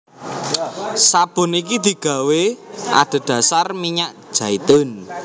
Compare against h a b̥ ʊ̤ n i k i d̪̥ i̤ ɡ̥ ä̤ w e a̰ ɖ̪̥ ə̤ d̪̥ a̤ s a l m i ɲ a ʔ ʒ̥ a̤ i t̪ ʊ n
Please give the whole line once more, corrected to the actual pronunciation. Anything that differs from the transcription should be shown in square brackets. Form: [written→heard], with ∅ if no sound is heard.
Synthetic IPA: [h→s] a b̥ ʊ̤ n i k i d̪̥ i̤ ɡ̥ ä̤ w e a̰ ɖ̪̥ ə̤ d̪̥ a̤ s a [l→r] m i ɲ a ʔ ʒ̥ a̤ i t̪ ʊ n